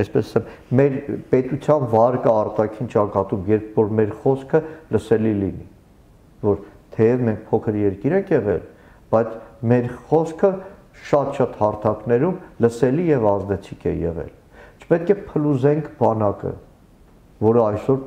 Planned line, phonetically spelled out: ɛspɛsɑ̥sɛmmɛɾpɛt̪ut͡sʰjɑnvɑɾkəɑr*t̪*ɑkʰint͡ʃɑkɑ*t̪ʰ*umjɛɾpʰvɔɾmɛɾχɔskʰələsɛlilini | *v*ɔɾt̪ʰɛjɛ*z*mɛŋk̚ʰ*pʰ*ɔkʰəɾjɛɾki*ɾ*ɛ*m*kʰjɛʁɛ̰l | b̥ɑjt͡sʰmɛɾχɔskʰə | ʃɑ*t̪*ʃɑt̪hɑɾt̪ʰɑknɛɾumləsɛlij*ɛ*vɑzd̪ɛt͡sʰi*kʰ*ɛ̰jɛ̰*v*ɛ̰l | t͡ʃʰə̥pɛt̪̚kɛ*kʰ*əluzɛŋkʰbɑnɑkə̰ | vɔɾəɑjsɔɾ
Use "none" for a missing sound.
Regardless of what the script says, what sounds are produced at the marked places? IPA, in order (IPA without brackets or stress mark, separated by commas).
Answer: t̪, t̪, v, v, pʰ, ɾ, ŋ, t̪, ɛ, kʰ, ʁ, pʰ